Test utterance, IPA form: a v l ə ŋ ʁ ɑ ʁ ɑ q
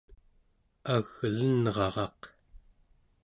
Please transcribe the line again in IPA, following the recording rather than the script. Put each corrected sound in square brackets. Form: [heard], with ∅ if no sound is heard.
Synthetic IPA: a [ɣ] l ə [n] ʁ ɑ ʁ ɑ q